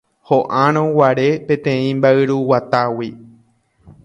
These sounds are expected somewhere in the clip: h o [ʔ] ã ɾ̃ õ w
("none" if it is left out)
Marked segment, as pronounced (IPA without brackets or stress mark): ʔ